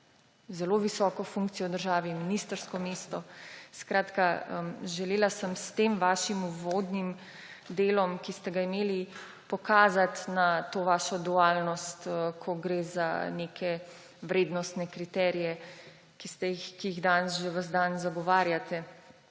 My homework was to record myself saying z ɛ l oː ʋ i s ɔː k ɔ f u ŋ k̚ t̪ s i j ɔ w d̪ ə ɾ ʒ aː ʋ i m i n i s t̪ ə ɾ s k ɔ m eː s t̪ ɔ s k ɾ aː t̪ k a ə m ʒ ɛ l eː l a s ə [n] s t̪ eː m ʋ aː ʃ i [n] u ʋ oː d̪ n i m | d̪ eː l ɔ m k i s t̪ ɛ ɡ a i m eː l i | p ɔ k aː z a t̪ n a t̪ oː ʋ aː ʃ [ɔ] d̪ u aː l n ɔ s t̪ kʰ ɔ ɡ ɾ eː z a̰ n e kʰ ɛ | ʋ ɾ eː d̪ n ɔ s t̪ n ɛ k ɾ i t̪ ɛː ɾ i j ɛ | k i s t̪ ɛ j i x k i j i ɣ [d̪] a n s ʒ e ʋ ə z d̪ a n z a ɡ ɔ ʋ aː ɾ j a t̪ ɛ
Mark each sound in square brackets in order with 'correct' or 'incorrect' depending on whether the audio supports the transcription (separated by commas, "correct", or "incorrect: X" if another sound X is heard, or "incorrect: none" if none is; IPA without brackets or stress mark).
incorrect: m, incorrect: m, correct, correct